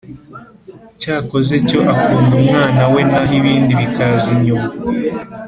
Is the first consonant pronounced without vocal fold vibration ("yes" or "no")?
yes